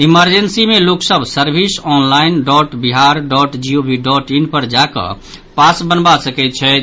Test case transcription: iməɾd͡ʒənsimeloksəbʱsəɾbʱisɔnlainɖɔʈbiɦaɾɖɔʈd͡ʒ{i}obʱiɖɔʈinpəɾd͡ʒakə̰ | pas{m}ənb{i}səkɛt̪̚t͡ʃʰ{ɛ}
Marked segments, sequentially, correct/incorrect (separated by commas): correct, incorrect, incorrect, correct